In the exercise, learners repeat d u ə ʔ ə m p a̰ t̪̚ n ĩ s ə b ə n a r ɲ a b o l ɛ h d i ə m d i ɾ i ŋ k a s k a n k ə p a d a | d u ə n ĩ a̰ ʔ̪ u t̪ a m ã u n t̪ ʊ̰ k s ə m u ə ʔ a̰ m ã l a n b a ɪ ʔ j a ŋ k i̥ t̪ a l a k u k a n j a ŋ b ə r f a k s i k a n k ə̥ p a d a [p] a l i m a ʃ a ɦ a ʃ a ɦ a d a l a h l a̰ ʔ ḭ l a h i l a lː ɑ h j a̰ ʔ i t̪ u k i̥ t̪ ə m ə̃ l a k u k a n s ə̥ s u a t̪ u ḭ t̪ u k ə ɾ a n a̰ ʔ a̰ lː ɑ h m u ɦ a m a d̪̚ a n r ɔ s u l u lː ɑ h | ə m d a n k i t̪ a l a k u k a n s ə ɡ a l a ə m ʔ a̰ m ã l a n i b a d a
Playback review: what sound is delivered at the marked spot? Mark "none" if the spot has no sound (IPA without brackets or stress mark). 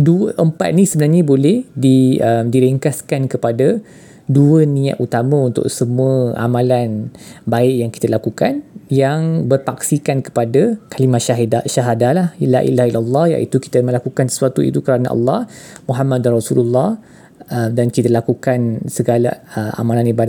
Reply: k